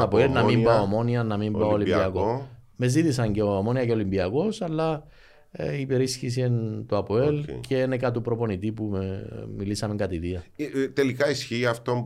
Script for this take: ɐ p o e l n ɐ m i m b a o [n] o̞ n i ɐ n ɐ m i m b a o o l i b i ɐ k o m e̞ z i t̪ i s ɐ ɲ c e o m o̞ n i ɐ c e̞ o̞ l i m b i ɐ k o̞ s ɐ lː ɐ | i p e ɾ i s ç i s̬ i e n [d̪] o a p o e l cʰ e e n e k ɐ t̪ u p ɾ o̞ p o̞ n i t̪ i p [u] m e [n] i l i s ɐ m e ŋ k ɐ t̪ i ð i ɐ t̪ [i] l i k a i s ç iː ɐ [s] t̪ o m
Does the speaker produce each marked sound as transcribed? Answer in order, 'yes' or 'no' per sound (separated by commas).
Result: no, no, yes, no, no, no